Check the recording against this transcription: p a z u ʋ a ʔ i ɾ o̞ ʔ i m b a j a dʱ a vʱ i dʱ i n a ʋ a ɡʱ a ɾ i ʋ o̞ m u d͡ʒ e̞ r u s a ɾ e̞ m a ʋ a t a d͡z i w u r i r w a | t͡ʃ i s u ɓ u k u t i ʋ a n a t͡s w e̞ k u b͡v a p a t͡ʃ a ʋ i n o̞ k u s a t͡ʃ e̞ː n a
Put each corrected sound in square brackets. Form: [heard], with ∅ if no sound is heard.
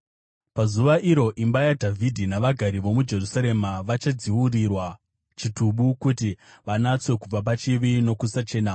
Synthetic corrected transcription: p a z u ʋ a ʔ i ɾ o̞ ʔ i m b a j a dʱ a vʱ i dʱ i n a ʋ a ɡʱ a ɾ i ʋ o̞ m u d͡ʒ e̞ r u s a ɾ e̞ m a ʋ a [t͡ʃ] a d͡z i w u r i r w a | t͡ʃ i [t] u ɓ u k u t i ʋ a n a t͡s w e̞ k u b͡v a p a t͡ʃ [i] ʋ i n o̞ k u s a t͡ʃ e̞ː n a